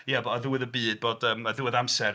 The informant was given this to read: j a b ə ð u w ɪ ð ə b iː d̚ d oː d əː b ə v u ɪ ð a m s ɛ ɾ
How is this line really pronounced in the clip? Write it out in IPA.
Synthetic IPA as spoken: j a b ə ð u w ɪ ð ə b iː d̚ b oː d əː m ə ð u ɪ ð a m s ɛ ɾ